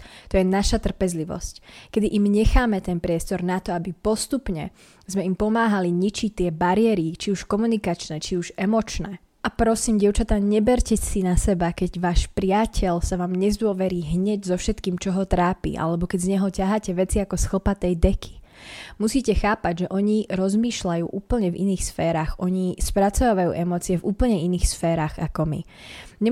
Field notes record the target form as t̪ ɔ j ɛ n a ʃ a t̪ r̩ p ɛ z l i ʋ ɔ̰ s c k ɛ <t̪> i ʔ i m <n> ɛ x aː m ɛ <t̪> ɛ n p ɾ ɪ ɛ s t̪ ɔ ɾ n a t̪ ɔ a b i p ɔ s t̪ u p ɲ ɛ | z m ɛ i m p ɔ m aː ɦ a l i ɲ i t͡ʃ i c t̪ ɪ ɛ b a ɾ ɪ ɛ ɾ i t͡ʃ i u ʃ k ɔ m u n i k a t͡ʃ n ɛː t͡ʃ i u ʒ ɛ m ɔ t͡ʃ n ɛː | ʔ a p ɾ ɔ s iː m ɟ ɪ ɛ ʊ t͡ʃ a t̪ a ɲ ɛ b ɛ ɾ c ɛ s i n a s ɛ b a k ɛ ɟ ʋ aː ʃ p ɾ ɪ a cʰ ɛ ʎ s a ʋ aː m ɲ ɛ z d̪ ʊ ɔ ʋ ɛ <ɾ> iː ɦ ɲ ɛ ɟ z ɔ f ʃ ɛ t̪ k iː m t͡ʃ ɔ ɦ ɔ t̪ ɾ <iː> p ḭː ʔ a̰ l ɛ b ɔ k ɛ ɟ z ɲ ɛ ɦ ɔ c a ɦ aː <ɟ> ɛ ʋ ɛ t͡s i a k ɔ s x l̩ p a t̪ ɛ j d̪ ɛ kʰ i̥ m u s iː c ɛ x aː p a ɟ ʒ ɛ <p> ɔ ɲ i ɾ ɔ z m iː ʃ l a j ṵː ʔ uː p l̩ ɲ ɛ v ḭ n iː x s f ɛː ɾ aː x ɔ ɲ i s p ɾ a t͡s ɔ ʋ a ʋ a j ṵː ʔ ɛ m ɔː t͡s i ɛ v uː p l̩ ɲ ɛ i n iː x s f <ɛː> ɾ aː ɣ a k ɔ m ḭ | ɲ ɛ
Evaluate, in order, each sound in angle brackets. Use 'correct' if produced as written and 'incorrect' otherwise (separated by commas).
incorrect, incorrect, correct, correct, incorrect, incorrect, incorrect, correct